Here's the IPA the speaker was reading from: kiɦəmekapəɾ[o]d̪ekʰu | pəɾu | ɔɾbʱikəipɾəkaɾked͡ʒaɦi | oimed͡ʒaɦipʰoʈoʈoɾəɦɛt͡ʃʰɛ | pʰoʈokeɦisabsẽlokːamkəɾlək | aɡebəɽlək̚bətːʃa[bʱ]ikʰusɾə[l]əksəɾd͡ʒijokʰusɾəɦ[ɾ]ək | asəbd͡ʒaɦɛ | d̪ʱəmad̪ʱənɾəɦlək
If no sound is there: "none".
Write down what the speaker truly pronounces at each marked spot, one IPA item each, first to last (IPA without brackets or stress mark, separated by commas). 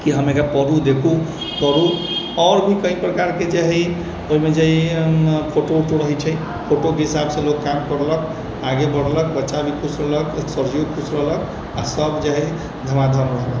u, bʱ, l, l